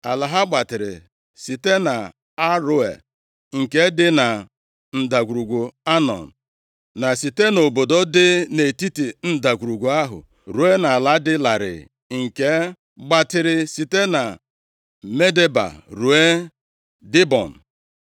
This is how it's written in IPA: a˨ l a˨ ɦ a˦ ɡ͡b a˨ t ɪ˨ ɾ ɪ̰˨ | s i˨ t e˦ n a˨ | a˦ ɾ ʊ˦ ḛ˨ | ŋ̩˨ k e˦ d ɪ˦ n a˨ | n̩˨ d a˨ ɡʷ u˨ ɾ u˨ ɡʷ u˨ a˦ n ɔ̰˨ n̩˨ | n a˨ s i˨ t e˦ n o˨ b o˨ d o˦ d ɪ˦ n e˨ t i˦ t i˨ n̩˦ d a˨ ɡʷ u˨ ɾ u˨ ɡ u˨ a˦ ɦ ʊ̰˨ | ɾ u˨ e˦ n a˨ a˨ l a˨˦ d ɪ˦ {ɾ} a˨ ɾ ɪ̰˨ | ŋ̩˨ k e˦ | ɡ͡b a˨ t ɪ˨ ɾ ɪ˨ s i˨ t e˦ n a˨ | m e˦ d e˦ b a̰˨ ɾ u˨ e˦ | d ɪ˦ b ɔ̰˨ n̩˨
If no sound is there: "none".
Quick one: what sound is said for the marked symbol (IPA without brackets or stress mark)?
l